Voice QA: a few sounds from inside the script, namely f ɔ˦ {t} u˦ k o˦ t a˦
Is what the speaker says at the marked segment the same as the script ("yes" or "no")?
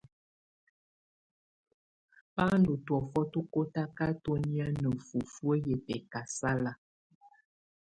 yes